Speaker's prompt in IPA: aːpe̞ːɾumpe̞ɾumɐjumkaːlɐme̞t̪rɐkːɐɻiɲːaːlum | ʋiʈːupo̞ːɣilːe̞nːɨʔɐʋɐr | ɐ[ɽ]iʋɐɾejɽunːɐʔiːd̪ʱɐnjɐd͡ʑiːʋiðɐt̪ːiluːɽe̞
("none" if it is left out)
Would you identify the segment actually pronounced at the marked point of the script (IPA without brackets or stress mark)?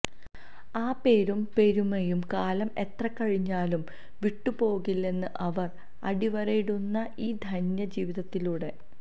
ɽ